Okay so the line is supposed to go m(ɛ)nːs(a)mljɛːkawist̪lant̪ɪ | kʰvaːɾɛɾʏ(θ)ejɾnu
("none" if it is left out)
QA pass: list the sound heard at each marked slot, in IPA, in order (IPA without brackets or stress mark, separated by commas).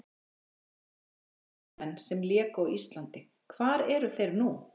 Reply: ɛ, ɛ, θ